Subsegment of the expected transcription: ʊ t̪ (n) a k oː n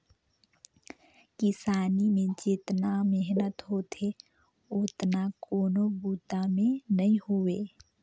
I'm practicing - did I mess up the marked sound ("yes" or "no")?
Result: no